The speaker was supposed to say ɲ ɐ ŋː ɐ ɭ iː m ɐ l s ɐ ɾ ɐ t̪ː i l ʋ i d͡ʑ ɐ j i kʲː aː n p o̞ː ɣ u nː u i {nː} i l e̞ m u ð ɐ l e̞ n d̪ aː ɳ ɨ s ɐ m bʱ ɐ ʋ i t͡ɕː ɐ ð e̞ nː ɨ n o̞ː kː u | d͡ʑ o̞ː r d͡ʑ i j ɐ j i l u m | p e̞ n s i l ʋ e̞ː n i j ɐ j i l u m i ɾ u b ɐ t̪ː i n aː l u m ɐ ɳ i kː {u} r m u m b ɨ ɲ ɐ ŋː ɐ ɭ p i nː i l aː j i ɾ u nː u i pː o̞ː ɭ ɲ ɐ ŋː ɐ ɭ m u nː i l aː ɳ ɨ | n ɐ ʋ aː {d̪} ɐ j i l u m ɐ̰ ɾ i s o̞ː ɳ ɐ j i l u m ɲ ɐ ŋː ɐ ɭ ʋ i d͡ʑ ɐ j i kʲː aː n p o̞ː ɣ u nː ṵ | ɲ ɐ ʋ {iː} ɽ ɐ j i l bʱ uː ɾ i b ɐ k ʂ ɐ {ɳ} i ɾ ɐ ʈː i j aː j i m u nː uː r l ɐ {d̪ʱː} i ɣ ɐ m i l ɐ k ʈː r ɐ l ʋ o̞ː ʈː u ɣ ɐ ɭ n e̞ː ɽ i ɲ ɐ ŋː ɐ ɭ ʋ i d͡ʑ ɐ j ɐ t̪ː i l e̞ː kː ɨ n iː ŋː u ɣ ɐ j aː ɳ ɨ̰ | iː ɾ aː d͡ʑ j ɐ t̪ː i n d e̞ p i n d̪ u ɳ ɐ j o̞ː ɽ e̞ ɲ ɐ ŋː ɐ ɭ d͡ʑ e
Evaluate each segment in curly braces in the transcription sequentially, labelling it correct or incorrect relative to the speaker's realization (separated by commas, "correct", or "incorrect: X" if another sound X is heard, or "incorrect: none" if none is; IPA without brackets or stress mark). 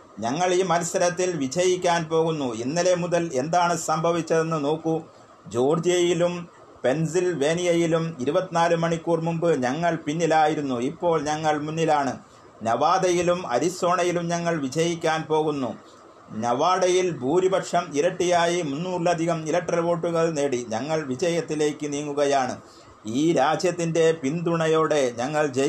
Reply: correct, incorrect: uː, correct, incorrect: aː, incorrect: m, incorrect: d̪ʱ